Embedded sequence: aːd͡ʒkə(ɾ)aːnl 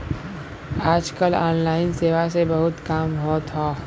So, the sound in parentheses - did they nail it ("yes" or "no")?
no